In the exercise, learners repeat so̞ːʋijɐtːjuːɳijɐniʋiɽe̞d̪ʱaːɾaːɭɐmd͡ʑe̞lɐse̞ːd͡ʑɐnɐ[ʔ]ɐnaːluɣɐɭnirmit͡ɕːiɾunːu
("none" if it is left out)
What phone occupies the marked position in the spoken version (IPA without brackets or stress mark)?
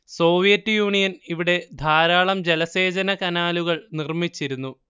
k